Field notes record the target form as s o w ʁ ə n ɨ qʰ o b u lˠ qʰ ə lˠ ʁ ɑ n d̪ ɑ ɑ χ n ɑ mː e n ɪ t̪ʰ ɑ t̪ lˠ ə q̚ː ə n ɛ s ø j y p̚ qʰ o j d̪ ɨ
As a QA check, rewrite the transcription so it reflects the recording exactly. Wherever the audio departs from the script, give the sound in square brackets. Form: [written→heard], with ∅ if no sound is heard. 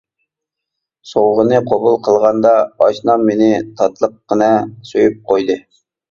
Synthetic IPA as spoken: s o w ʁ ə n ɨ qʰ o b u lˠ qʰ ə lˠ ʁ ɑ n d̪ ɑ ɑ [χ→ʃ] n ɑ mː e n ɪ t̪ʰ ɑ t̪ lˠ ə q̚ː ə n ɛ s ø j y p̚ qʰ o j d̪ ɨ